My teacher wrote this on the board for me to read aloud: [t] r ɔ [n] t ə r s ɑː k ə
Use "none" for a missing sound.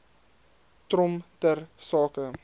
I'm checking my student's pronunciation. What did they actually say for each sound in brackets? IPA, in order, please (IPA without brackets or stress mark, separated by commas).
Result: t, m